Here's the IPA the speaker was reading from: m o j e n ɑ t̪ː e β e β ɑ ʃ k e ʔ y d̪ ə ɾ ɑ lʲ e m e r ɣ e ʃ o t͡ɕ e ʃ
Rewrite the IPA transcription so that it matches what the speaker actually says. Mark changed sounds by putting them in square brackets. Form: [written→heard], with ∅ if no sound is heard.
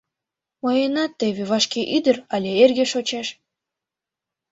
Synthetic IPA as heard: m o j e n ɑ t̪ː e β e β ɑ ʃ k e ʔ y d̪ ə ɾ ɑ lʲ e [m→∅] e r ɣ e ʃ o t͡ɕ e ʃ